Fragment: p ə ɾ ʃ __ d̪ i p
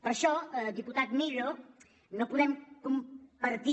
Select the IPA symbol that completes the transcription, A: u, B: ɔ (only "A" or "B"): B